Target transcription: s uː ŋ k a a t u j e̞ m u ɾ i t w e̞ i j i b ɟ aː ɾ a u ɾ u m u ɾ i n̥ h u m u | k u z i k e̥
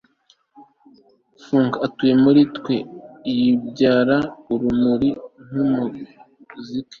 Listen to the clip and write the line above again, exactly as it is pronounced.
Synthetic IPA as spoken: f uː ŋ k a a t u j e̞ m u ɾ i t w e̞ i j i b ɟ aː ɾ a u ɾ u m u ɾ i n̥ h u m u | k u z i k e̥